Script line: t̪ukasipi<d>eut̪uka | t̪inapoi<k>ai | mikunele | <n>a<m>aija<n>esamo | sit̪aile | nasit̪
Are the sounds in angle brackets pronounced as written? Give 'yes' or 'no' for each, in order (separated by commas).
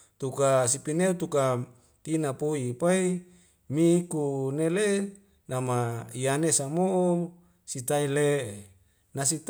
no, no, yes, yes, yes